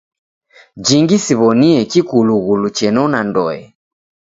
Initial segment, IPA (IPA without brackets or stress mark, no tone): d͡ʒ